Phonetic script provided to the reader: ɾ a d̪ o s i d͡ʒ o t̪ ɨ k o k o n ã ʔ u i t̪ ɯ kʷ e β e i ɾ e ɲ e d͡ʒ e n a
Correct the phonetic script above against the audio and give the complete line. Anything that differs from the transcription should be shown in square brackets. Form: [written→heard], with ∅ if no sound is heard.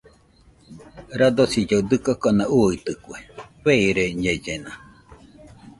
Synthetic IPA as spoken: ɾ a d̪ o s i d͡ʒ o [t̪→d̪] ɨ k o k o n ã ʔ u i t̪ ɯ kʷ e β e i ɾ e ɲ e d͡ʒ e n a